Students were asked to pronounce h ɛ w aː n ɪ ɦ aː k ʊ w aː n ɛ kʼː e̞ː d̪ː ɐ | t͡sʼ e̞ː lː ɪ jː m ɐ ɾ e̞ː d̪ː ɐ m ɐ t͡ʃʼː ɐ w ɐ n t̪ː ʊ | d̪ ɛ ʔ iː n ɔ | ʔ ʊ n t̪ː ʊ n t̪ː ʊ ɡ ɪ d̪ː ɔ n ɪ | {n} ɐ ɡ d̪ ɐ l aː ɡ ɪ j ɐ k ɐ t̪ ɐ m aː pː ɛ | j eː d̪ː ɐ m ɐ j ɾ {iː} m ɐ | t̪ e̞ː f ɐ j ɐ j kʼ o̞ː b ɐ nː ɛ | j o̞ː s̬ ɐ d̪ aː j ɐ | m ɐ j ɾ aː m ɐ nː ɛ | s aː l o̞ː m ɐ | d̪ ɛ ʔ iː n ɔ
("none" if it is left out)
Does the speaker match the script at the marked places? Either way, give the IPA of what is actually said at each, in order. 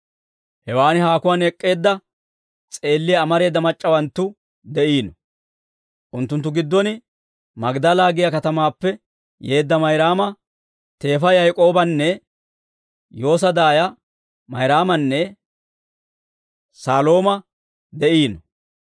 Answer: m, aː

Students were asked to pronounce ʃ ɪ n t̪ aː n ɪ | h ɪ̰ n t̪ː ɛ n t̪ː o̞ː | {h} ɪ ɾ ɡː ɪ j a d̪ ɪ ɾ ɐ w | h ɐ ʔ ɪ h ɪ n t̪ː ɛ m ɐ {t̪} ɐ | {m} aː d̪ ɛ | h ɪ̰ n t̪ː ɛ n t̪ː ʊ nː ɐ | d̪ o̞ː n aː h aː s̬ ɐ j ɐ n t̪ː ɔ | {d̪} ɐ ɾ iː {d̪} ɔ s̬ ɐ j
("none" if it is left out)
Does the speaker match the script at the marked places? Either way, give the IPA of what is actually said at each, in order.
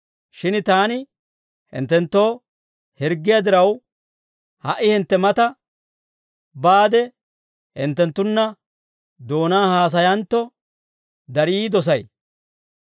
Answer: h, t̪, b, d̪, d̪

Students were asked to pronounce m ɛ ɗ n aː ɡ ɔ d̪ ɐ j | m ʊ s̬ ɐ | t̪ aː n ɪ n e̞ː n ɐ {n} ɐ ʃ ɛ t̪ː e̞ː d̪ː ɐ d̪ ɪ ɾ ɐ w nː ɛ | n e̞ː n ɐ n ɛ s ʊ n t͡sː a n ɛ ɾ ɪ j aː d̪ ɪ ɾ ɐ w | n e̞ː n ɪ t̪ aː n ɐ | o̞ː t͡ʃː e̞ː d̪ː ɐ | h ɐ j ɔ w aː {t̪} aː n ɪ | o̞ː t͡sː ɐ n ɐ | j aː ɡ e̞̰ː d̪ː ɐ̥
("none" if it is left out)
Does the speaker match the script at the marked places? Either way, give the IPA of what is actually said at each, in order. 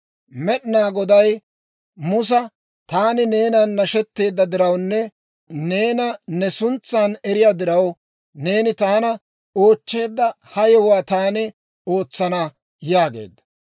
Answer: nː, t̪

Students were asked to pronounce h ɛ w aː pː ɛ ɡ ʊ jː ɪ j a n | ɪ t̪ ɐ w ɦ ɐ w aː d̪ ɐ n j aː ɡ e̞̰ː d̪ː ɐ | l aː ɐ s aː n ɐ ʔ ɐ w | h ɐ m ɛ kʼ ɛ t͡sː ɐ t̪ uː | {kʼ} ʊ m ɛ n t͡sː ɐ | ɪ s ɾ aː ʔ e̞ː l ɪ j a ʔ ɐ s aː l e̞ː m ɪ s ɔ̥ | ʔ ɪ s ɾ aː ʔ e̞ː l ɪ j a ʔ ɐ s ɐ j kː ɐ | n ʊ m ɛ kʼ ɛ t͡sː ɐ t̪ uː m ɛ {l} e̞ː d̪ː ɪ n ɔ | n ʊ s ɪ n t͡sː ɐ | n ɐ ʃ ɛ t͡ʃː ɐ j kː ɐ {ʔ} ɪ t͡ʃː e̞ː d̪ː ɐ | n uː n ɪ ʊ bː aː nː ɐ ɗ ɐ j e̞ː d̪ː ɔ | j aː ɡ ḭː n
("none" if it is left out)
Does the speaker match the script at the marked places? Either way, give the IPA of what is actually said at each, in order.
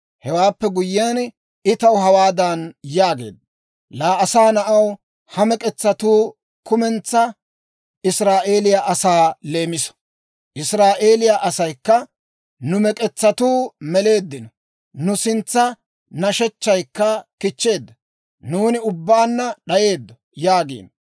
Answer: k, l, k

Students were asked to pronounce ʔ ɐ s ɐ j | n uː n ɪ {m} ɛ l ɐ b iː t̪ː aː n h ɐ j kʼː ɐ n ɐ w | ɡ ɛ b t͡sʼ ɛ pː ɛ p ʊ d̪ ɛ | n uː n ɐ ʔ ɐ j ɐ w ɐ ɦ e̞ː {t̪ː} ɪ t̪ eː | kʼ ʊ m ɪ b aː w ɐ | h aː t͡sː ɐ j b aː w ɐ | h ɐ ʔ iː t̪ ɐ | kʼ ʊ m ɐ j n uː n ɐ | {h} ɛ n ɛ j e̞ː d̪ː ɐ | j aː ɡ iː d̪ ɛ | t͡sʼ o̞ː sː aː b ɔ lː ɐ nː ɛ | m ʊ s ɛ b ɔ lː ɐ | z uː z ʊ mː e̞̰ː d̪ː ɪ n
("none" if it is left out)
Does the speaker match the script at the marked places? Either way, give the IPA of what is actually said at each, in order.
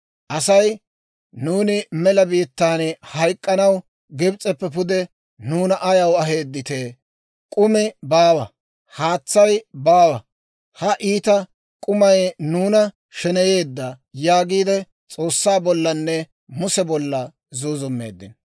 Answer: m, d̪ː, ʃ

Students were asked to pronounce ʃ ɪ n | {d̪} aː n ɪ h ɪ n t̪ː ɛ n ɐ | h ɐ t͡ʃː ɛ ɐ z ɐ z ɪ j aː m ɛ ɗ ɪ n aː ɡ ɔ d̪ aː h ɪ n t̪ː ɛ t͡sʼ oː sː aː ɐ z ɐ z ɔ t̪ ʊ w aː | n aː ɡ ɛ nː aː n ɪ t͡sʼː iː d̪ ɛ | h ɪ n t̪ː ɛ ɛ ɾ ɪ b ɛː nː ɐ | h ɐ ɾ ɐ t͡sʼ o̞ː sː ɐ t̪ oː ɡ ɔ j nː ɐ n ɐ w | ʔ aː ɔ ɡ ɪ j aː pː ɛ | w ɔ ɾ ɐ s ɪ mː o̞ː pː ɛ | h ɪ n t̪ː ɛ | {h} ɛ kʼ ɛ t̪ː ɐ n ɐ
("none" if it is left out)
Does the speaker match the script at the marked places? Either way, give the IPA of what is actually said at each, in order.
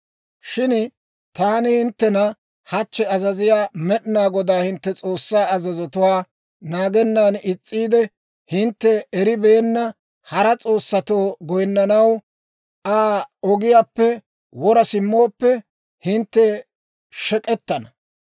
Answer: t̪, ʃ

